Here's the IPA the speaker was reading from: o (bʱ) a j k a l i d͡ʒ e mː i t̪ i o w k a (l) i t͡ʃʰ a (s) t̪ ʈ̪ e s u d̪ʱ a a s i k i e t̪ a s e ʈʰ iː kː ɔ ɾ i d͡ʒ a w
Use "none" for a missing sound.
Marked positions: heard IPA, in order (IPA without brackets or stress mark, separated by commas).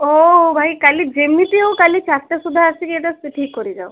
bʱ, l, s